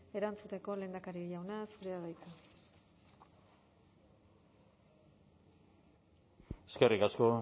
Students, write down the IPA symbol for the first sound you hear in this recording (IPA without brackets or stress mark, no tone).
e̞